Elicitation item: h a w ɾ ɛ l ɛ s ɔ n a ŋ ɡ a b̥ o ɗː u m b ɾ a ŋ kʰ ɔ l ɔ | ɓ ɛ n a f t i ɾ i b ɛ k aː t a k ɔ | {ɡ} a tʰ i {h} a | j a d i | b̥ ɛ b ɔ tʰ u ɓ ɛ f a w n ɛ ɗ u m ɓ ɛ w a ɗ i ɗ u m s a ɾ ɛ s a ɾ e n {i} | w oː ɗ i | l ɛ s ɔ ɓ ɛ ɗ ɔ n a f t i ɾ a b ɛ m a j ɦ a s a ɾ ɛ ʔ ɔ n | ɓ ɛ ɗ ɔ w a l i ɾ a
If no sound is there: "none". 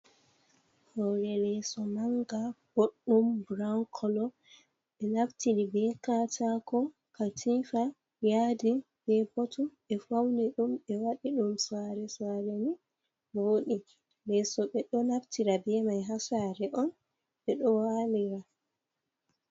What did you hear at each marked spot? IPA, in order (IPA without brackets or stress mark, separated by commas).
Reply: k, f, i